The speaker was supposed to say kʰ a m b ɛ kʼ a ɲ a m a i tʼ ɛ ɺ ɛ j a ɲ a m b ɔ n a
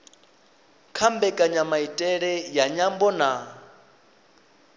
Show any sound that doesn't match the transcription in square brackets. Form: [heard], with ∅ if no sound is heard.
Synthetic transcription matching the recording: kʰ a m b ɛ kʼ a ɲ a m a i tʼ ɛ ɺ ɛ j a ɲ a m b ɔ n a

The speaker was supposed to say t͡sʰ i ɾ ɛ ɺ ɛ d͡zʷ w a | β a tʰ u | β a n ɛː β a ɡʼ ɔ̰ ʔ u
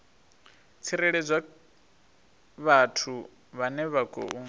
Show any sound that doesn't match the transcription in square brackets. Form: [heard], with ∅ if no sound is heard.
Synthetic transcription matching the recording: t͡sʰ i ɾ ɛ ɺ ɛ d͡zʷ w a | β a tʰ u | β a n [ɛ] β a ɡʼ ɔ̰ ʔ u

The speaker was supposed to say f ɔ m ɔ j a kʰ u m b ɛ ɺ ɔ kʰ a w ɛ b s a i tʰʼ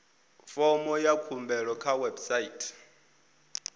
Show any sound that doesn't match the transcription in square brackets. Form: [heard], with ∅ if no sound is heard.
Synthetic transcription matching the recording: f ɔ m ɔ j a kʰ u m b ɛ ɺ ɔ kʰ a w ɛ b s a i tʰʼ

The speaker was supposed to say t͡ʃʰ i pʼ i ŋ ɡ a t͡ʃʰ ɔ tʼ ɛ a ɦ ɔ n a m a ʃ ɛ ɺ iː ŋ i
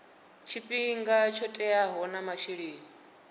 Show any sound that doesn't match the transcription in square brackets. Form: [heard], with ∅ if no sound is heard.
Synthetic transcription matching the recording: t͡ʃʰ i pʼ i ŋ ɡ a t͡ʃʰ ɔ tʼ ɛ a ɦ ɔ n a m a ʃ [i] ɺ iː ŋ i

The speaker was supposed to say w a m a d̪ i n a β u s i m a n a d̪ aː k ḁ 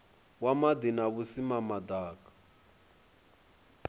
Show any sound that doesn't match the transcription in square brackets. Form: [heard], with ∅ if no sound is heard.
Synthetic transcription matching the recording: w a m a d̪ i n a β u s i m a [m] a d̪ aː k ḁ

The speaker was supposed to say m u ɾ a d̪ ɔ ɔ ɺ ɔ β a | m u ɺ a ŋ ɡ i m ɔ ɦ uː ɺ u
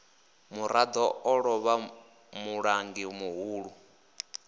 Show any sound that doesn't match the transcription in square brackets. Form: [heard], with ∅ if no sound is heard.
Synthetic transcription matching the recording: m u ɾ a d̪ ɔ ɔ ɺ ɔ β a | m u ɺ a ŋ ɡ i m [u] ɦ uː ɺ u

